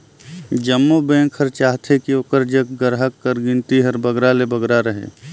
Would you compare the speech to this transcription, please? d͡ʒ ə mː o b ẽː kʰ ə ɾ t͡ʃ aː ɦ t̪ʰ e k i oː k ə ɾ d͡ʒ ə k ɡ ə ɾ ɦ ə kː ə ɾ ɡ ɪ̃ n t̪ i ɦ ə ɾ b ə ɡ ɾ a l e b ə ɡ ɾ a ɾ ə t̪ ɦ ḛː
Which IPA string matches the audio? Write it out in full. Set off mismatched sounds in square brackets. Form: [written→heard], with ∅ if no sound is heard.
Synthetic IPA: d͡ʒ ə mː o b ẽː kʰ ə ɾ t͡ʃ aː ɦ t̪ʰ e k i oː k ə ɾ d͡ʒ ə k ɡ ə ɾ ɦ ə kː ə ɾ ɡ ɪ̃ n t̪ i ɦ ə ɾ b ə ɡ ɾ a l e b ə ɡ ɾ a ɾ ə [t̪→∅] ɦ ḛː